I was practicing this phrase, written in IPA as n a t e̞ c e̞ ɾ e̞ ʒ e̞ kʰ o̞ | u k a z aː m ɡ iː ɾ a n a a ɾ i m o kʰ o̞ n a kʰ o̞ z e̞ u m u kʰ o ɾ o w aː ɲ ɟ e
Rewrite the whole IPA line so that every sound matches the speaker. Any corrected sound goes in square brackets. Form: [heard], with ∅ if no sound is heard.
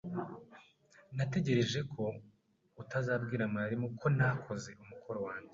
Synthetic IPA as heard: n a t e̞ [ɟ] e̞ ɾ e̞ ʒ e̞ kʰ o̞ | u [t] a z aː [b] ɡ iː ɾ a [m] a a ɾ i m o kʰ o̞ n a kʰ o̞ z e̞ u m u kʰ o ɾ o w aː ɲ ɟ e

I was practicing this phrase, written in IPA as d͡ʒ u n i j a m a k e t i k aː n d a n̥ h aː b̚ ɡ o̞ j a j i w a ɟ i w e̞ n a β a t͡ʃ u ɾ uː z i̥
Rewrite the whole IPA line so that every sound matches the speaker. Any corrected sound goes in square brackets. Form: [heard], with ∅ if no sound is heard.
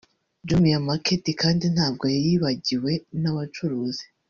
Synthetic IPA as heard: d͡ʒ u [m] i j a m a k e t i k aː n d [i] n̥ h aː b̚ ɡ o̞ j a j i [β] a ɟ i w e̞ n a β a t͡ʃ u ɾ uː z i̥

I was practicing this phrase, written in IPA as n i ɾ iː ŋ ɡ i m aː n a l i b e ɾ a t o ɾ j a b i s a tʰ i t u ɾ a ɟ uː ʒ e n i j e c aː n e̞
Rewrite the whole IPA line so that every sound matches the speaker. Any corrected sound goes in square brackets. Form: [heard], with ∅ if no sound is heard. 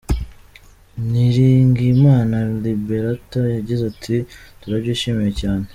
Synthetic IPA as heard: n i ɾ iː ŋ ɡ i m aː n a l i b e ɾ a t o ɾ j a [ɟ] i [z] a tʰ i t u ɾ a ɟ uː [ʃ] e [m] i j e c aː n e̞

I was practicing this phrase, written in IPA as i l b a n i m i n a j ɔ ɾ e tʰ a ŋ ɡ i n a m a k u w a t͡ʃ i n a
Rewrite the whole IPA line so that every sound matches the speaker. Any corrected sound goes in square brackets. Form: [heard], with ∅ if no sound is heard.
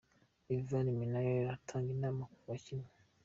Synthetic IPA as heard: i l [v] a n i m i n a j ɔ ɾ [a] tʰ a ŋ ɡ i n a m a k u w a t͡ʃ i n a

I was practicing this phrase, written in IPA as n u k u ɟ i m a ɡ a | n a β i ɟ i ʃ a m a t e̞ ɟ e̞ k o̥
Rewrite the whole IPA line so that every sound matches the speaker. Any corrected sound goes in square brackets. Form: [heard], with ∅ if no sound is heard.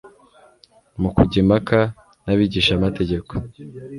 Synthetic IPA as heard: [m] u k u ɟ i m a [k] a | n a β i ɟ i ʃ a m a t e̞ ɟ e̞ k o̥

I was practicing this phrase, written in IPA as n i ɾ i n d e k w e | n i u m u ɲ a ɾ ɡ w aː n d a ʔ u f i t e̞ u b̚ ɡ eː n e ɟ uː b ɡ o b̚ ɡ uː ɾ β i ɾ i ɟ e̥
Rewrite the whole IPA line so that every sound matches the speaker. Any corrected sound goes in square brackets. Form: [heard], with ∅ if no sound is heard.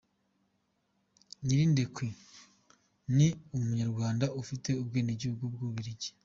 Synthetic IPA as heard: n i ɾ i n d e k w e | n i u m u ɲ a ɾ ɡ w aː n d a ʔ u f i t e̞ u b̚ ɡ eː n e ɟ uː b ɡ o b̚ ɡ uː [∅] β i ɾ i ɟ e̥

